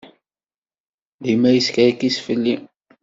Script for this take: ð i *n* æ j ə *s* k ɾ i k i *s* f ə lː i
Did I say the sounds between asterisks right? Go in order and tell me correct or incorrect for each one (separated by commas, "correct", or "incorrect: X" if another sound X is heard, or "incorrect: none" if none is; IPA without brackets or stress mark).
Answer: incorrect: m, correct, correct